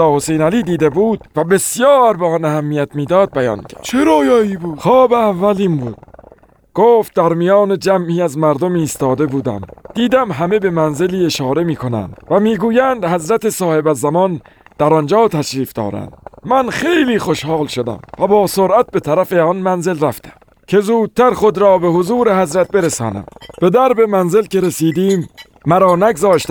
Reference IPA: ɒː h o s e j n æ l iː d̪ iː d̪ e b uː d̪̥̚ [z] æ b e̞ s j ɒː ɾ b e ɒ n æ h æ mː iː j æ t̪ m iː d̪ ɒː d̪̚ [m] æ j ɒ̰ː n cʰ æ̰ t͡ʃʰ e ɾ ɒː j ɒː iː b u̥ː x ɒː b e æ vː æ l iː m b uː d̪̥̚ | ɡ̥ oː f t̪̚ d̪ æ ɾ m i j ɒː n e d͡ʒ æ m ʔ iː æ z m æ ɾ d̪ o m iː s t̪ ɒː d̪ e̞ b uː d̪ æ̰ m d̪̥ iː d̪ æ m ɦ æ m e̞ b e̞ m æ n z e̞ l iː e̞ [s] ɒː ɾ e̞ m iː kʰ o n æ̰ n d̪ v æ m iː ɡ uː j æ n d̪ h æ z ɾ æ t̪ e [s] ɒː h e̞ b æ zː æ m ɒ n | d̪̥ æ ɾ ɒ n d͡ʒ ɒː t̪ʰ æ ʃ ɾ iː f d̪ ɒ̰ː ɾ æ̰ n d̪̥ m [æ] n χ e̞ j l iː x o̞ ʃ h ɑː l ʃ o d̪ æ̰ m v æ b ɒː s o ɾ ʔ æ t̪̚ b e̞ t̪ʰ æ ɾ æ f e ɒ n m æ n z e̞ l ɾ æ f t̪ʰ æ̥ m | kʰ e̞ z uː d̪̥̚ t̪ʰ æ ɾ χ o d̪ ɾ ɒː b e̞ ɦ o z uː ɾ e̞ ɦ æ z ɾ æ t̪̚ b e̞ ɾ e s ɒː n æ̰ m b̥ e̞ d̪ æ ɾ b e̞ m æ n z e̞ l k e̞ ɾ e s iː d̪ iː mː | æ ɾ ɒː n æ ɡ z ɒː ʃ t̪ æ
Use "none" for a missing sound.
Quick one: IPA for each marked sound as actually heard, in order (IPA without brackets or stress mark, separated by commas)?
v, b, ʃ, s, æ